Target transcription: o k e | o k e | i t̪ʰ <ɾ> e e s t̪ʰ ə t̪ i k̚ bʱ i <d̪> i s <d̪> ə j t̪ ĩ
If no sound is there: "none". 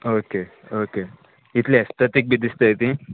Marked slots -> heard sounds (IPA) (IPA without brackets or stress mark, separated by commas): l, d̪, t̪